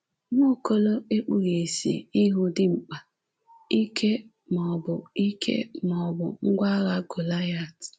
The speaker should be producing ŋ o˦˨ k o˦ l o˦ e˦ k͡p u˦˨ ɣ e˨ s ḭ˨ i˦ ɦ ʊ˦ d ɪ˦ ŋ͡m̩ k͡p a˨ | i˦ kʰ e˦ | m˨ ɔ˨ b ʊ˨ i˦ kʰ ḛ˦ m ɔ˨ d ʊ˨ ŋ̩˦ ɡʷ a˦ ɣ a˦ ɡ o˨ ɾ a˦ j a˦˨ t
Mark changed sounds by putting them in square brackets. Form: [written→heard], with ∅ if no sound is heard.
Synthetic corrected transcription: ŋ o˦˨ k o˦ l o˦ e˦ k͡p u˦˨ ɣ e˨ s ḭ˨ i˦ ɦ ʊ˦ d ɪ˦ ŋ͡m̩ k͡p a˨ | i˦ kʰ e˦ | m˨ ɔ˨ b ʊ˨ i˦ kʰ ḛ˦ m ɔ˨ [d→b] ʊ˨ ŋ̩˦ ɡʷ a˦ ɣ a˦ ɡ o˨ [ɾ→l] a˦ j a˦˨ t